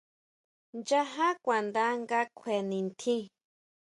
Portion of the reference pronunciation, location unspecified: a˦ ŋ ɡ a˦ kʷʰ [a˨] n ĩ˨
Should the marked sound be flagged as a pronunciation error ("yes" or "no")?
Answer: yes